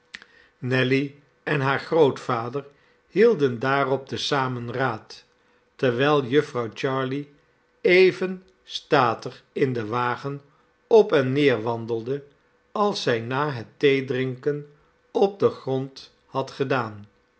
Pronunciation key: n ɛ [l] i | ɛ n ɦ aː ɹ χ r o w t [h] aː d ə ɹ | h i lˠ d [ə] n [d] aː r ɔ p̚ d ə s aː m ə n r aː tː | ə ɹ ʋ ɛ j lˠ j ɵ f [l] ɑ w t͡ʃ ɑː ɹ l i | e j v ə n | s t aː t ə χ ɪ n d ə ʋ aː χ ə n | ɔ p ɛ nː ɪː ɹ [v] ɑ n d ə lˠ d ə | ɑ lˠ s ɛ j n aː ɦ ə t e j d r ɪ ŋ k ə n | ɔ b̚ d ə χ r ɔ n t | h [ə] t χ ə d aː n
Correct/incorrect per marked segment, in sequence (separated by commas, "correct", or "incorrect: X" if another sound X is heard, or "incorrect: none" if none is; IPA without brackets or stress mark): correct, incorrect: f, correct, correct, incorrect: r, incorrect: ʋ, incorrect: ɑ